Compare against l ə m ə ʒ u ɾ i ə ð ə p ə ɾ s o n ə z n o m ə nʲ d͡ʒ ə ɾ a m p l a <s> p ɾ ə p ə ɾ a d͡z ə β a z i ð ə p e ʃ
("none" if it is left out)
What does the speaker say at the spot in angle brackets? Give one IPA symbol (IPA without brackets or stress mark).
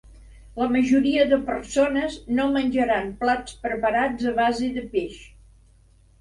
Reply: t͡s